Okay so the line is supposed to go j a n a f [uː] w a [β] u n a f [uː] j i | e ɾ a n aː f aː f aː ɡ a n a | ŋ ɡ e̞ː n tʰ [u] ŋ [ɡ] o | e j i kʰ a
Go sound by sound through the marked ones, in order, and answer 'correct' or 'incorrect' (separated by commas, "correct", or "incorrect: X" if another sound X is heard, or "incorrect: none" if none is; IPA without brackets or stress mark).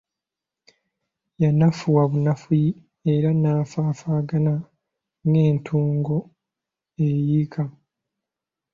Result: incorrect: u, correct, incorrect: u, incorrect: uː, correct